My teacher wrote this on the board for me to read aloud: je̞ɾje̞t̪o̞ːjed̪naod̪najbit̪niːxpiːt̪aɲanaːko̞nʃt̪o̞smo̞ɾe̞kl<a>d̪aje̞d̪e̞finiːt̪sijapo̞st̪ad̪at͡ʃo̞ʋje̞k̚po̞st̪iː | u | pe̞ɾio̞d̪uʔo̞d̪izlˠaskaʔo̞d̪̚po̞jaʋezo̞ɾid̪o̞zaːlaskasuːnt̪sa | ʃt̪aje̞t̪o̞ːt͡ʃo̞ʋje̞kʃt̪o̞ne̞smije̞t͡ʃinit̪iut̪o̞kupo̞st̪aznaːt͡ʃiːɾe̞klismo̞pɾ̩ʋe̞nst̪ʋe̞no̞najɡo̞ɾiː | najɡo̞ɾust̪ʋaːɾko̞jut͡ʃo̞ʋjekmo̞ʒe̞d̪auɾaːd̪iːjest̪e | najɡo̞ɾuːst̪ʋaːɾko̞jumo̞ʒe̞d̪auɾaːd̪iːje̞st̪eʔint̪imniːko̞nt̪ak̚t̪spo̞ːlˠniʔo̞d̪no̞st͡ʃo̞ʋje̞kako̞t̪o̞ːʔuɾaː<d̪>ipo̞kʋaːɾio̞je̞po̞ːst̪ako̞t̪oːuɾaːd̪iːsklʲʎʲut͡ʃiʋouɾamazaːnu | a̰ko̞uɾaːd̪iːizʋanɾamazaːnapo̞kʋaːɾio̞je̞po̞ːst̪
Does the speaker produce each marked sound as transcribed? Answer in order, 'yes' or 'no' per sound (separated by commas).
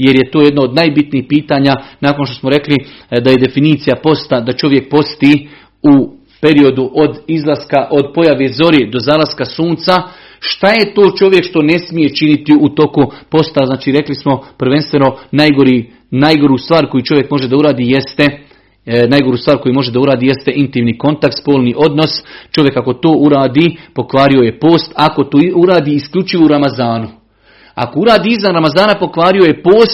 no, yes